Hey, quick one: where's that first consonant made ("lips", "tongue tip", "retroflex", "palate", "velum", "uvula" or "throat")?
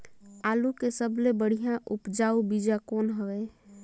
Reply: tongue tip